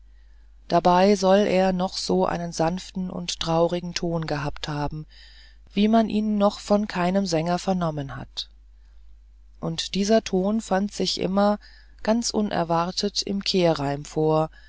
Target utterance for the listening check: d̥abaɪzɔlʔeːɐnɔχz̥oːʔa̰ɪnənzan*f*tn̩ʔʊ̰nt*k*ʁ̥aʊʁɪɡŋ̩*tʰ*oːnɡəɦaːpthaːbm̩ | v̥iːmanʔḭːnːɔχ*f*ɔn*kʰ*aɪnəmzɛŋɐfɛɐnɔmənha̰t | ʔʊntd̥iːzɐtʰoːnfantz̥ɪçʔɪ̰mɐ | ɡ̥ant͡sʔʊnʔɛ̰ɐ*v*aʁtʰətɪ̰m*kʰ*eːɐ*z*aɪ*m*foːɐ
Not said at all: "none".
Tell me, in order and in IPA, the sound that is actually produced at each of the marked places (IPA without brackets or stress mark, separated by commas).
f, t, tʰ, f, kʰ, v, kʰ, ʁ, m